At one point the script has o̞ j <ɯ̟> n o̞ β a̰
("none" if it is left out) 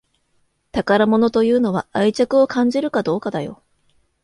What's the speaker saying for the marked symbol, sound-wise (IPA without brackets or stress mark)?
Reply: ɯ̟ː